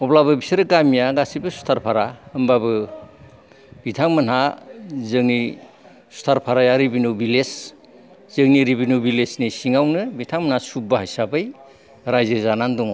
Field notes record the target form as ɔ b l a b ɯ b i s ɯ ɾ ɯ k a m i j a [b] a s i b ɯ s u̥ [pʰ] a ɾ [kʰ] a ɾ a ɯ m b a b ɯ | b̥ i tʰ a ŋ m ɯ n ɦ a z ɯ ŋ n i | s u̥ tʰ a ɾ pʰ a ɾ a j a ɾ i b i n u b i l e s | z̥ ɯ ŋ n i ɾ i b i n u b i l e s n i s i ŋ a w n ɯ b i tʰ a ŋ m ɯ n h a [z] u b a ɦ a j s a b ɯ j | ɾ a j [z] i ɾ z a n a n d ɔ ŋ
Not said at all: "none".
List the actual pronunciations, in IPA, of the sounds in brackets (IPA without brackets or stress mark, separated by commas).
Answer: ɡ, tʰ, pʰ, s, z